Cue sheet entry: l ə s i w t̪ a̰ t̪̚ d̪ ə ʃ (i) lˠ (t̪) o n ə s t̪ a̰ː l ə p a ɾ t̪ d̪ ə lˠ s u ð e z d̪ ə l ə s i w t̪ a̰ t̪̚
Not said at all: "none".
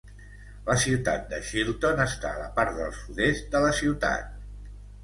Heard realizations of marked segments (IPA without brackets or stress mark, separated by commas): i, t̪